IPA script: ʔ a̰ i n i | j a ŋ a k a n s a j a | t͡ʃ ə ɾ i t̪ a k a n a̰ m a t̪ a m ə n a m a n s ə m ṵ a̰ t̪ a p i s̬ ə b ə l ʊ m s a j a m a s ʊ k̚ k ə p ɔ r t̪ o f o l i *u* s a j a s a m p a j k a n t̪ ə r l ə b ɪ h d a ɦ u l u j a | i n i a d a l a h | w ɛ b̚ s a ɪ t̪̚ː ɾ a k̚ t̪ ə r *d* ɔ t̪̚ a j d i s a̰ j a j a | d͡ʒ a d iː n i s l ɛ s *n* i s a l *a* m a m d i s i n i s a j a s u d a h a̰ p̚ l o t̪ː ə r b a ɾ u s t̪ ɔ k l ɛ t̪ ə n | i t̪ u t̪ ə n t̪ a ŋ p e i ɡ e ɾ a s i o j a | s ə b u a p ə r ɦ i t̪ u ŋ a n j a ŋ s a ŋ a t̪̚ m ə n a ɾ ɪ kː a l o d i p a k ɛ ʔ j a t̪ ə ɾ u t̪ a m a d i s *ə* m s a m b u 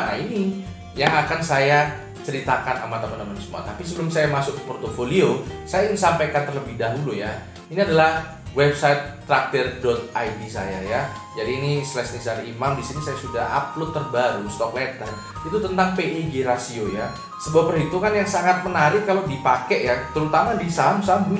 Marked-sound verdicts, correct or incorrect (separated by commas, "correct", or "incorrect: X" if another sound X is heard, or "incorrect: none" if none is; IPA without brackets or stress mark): incorrect: o, correct, correct, incorrect: i, incorrect: a